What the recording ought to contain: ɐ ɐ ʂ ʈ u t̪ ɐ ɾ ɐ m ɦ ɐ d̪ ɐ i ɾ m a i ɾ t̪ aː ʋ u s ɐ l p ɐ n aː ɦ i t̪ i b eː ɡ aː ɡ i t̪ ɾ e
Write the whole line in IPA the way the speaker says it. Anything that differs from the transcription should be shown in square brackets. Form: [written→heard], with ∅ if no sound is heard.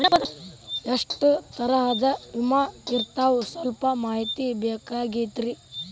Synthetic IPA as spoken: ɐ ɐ ʂ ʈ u t̪ ɐ ɾ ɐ [m→∅] ɦ ɐ d̪ ɐ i [ɾ→∅] m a i ɾ t̪ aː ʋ u s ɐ l p ɐ [n→m] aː ɦ i t̪ i b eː [ɡ→k] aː ɡ i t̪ ɾ [e→i]

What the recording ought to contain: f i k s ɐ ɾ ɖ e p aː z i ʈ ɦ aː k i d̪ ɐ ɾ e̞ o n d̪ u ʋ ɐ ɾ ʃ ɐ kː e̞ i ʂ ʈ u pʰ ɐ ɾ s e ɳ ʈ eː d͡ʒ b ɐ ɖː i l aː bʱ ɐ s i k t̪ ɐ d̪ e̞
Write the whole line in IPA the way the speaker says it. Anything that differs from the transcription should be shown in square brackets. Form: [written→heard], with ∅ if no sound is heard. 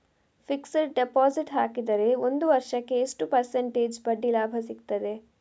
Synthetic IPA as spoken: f i k s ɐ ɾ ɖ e p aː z i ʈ ɦ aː k i d̪ ɐ ɾ e̞ o n d̪ u ʋ ɐ ɾ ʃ ɐ kː e̞ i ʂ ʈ u [pʰ→p] ɐ ɾ s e ɳ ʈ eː d͡ʒ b ɐ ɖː i l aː bʱ ɐ s i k t̪ ɐ d̪ e̞

